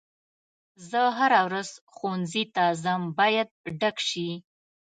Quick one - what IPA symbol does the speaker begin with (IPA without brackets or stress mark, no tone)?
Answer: z